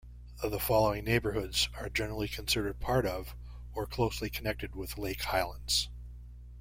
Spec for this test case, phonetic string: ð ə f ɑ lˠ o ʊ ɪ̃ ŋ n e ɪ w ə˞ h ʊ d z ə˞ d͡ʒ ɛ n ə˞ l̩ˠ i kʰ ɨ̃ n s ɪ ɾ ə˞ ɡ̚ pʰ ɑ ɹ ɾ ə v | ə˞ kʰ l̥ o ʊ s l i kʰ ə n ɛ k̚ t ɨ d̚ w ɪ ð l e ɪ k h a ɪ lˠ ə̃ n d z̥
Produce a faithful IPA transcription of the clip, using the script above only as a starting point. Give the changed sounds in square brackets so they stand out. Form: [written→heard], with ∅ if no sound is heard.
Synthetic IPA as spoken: ð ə f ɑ lˠ o ʊ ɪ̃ ŋ n e ɪ [w→b] ə˞ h ʊ d z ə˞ d͡ʒ ɛ n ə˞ l̩ˠ i kʰ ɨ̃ n s ɪ ɾ ə˞ [ɡ̚→d̚] pʰ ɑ ɹ ɾ [ə→ʌ] v | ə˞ kʰ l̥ o ʊ s l i kʰ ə n ɛ k̚ t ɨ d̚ w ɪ ð l e ɪ k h a ɪ lˠ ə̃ n d z̥

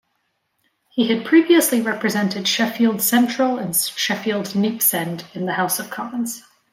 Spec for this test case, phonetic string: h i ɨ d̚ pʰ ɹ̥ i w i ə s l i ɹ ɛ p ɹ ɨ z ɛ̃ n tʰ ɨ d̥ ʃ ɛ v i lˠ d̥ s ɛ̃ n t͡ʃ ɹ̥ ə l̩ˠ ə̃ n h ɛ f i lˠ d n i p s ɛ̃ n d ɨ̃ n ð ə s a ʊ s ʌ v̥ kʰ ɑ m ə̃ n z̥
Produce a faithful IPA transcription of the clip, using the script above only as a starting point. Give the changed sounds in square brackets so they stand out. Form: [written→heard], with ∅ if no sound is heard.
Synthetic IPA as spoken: h i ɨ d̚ pʰ ɹ̥ i [w→v] i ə s l i ɹ ɛ p ɹ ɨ z ɛ̃ n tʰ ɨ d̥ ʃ ɛ [v→f] i lˠ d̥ s ɛ̃ n t͡ʃ ɹ̥ ə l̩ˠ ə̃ n [h→ʃ] ɛ f i lˠ d n i p s ɛ̃ n d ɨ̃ n ð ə [s→h] a ʊ s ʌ v̥ kʰ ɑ m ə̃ n z̥

